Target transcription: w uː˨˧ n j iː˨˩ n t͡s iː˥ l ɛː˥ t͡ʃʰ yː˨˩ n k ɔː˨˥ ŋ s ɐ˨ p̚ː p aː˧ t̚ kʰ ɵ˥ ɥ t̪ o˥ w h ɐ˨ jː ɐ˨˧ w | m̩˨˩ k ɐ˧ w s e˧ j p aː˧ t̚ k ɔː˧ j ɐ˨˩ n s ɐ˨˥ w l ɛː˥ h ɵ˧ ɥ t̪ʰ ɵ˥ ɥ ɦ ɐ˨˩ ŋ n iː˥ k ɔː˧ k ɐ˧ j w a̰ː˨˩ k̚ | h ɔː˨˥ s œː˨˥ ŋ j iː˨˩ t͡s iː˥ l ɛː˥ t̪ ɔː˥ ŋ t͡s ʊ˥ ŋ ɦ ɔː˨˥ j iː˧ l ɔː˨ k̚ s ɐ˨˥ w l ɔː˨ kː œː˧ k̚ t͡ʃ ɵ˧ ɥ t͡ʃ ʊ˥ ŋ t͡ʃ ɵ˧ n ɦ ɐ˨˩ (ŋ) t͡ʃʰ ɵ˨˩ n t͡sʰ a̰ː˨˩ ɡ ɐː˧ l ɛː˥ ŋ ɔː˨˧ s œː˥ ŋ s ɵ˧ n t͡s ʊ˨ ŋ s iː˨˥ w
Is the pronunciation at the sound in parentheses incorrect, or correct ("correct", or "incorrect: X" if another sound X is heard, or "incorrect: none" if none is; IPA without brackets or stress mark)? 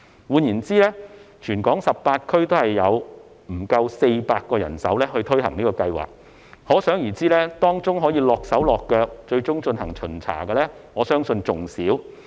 correct